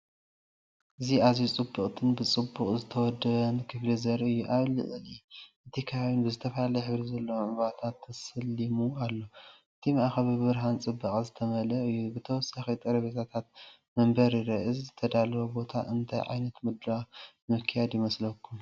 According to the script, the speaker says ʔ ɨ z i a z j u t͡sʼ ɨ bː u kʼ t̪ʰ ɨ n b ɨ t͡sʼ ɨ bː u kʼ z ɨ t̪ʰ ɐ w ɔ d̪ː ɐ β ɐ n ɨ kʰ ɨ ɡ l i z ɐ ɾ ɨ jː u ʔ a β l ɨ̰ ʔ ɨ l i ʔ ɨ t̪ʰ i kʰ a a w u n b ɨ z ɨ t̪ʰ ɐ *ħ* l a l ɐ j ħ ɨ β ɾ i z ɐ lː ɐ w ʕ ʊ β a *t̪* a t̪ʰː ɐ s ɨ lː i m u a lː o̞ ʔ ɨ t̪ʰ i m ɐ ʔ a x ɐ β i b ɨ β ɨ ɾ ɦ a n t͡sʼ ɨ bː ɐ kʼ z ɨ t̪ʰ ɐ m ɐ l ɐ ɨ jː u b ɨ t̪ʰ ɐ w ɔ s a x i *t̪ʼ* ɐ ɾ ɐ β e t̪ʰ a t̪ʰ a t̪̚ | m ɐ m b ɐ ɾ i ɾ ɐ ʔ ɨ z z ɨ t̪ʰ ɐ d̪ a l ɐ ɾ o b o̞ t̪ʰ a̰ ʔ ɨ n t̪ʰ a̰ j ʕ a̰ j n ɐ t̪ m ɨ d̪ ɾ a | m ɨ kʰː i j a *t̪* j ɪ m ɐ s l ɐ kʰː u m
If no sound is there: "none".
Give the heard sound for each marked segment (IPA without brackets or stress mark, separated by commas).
f, t̪ʰ, t̪ʼ, d̪